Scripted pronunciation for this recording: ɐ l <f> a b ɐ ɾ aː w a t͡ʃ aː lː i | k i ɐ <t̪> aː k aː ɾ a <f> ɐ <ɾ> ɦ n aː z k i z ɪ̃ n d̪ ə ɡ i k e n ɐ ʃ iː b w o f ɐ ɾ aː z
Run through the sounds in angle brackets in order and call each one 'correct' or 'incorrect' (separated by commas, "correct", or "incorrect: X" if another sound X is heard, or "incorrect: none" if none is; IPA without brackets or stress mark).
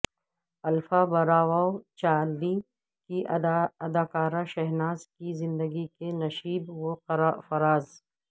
correct, incorrect: d̪, incorrect: ʃ, incorrect: none